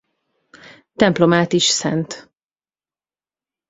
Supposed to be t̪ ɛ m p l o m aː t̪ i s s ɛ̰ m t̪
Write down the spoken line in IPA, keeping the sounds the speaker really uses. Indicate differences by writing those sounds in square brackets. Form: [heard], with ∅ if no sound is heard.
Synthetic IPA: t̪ ɛ m p l o m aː t̪ i [ʃ] s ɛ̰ [n] t̪